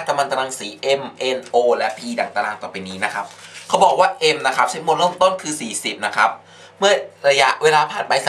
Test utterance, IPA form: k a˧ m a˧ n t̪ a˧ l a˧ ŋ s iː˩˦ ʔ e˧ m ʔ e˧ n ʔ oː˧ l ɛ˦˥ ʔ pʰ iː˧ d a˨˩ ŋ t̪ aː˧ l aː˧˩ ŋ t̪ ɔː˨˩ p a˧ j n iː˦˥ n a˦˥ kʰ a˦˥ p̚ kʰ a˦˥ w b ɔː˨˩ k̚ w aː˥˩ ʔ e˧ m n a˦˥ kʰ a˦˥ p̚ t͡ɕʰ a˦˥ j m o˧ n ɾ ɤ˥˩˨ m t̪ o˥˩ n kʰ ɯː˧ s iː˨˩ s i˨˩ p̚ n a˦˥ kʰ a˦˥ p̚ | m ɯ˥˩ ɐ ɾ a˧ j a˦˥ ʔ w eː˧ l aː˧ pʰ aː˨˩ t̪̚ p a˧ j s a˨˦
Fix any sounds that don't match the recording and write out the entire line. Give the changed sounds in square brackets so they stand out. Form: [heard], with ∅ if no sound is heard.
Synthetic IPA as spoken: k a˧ m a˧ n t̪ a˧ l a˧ ŋ s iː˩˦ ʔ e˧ m ʔ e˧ n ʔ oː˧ l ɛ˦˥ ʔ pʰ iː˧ d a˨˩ ŋ t̪ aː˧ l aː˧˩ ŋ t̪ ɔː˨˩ p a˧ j n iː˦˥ n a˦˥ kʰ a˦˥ p̚ kʰ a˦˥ w b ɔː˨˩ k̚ w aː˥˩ ʔ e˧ m n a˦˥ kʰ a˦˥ p̚ t͡ɕʰ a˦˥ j m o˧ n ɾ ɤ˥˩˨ m t̪ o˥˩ n kʰ ɯː˧ s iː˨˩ s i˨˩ p̚ n a˦˥ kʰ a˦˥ p̚ | m ɯ˥˩ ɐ ɾ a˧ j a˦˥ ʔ w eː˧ l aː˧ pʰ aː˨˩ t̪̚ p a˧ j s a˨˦